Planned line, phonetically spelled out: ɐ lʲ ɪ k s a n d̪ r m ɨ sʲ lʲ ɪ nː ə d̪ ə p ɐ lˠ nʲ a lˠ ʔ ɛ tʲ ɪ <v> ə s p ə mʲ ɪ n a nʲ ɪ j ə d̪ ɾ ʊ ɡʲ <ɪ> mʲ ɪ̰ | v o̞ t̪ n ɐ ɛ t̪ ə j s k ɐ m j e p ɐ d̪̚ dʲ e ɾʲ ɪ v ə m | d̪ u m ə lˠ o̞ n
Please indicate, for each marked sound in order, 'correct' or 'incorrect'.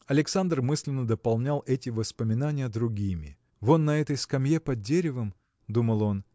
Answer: correct, incorrect: i

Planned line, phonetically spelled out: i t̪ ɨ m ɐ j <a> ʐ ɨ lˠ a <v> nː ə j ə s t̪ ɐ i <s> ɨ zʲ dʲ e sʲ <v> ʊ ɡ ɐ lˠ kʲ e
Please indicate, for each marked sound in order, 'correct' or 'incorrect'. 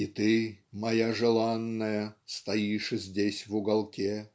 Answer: correct, incorrect: none, incorrect: ʂ, correct

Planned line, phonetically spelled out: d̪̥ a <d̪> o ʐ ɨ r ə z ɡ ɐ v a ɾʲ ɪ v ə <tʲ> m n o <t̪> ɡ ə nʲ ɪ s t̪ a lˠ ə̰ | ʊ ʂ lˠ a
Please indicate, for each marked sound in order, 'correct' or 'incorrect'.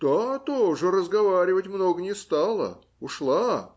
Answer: incorrect: t̪, correct, incorrect: none

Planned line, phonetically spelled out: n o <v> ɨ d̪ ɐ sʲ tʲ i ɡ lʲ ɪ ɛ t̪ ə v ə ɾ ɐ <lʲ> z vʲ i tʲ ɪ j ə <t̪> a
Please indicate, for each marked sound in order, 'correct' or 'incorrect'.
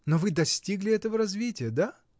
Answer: correct, incorrect: none, incorrect: d̪

